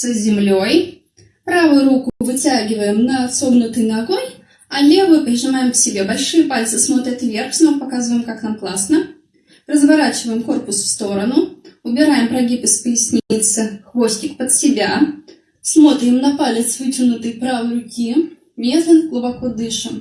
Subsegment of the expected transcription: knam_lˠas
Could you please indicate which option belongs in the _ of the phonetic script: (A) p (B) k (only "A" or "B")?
B